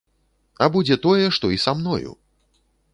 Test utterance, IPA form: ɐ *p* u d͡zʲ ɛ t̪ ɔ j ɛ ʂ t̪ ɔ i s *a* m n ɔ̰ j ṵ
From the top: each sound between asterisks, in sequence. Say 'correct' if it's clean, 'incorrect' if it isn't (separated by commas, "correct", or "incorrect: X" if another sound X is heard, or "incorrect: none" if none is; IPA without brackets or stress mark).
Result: incorrect: b, correct